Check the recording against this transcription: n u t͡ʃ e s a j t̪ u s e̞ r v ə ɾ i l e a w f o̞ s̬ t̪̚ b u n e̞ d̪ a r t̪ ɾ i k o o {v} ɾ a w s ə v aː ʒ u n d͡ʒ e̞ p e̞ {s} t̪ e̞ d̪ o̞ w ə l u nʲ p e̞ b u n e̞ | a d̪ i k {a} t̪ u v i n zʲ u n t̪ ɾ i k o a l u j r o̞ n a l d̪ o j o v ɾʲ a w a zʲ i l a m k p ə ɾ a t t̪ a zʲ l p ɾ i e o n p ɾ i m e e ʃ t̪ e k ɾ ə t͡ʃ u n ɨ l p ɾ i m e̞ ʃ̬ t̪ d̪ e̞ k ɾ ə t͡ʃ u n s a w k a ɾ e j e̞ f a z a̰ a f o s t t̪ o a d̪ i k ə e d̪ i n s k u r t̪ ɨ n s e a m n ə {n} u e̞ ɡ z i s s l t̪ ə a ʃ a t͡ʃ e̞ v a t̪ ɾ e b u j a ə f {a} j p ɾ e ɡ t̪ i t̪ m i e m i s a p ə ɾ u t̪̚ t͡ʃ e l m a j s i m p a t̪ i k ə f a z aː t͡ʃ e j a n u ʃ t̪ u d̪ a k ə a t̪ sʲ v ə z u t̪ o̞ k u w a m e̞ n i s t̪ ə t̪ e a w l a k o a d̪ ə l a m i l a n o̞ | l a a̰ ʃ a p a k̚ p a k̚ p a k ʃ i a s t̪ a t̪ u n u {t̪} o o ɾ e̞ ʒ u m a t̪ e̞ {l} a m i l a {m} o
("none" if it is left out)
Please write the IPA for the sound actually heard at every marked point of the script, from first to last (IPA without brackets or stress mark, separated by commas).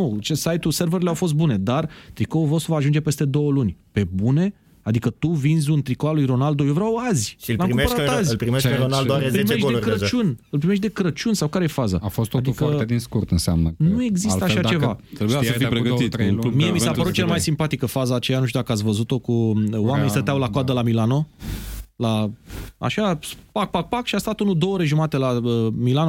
v, s, ə, n, i, d̪, l, n